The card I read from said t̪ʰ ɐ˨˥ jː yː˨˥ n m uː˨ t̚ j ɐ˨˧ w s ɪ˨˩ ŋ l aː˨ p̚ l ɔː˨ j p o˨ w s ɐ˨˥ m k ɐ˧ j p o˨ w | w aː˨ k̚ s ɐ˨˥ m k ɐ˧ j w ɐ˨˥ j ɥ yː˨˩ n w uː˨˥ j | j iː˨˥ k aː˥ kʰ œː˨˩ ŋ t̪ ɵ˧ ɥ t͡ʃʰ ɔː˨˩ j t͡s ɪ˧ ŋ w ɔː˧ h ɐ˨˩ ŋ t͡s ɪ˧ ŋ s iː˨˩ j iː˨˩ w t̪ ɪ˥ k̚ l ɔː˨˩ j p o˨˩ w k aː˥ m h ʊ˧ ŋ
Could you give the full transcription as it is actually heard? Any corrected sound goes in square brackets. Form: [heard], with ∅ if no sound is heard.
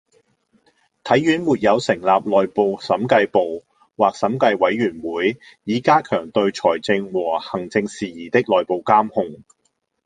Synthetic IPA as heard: t̪ʰ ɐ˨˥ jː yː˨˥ n m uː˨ t̚ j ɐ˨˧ w s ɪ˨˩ ŋ l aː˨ p̚ l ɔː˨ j p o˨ w s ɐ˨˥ m k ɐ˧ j p o˨ w | w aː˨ k̚ s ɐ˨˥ m k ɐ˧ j w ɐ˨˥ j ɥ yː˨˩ n w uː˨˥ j | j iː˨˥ k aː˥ kʰ œː˨˩ ŋ t̪ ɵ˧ ɥ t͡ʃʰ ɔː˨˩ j t͡s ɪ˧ ŋ w [ɔː˨˩] h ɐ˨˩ ŋ t͡s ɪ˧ ŋ s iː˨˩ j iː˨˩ [∅] t̪ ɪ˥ k̚ l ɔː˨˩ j p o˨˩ w k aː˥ m h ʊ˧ ŋ